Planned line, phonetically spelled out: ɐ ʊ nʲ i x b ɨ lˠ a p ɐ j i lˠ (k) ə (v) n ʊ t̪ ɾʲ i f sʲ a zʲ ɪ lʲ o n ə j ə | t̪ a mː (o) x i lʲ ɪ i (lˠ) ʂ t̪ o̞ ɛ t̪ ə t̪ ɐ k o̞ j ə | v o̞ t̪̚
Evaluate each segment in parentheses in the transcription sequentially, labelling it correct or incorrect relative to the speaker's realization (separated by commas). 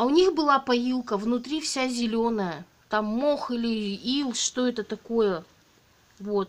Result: correct, correct, correct, correct